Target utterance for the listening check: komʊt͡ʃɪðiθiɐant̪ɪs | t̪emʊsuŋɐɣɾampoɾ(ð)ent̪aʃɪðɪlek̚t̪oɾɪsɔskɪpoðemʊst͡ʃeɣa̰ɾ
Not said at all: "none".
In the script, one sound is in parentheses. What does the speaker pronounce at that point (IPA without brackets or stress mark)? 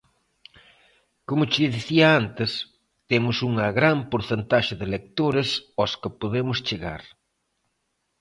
θ